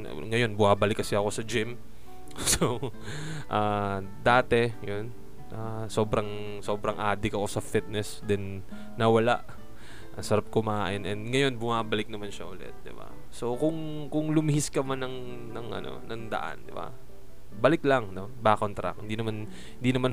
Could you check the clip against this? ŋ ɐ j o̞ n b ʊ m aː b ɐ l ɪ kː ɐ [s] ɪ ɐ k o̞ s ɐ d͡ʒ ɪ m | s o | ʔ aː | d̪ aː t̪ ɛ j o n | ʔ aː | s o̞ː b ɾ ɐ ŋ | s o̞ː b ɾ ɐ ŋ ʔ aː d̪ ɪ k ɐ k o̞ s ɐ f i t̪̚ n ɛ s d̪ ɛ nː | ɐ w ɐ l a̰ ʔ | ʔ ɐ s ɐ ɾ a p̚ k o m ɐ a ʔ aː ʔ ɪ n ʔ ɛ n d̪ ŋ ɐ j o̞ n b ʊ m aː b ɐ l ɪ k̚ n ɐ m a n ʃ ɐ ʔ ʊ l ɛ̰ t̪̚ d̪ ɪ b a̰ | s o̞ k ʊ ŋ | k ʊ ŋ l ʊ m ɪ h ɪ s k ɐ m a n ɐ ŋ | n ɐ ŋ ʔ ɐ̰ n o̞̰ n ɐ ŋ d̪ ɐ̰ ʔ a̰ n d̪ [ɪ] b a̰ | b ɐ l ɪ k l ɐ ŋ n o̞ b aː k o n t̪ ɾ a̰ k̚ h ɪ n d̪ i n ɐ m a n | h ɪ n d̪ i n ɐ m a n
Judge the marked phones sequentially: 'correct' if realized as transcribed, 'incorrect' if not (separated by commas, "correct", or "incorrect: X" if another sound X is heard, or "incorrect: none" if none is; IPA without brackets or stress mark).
correct, correct